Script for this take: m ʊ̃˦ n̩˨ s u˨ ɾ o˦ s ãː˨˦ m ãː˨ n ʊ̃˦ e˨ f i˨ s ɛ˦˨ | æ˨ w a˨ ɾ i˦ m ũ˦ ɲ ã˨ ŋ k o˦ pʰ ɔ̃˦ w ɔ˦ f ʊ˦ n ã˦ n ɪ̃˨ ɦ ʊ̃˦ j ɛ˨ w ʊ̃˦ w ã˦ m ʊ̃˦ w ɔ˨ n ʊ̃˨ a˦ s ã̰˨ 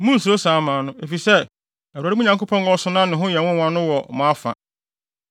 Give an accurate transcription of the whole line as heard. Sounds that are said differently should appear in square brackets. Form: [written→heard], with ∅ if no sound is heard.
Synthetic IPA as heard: m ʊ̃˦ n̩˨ s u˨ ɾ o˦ s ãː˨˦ m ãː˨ n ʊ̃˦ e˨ f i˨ s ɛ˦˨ | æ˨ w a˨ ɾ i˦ m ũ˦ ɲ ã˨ ŋ k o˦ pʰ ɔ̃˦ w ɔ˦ [f→s] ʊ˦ n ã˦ n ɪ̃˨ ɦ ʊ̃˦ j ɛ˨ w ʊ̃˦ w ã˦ [m→n] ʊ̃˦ w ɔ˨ [n→m] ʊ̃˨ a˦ [s→f] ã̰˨